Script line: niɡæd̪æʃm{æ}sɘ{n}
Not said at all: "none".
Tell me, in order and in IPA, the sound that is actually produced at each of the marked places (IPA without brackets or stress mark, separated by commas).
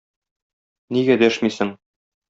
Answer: i, ŋ